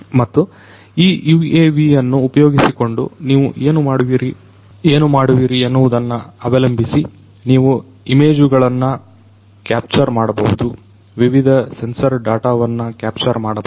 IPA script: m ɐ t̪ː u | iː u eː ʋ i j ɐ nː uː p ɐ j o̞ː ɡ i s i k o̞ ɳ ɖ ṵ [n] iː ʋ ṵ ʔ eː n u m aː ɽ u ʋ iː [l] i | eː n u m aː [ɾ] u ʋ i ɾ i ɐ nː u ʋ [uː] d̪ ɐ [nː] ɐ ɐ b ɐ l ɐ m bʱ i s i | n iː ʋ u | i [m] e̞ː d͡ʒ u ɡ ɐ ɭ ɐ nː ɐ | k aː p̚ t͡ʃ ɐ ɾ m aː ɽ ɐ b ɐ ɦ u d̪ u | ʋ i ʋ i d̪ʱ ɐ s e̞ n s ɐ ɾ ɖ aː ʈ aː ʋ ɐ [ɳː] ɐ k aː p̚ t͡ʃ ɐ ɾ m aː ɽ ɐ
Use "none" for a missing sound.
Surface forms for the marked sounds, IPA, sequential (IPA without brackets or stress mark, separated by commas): n, ɾ, ɽ, u, nː, m, nː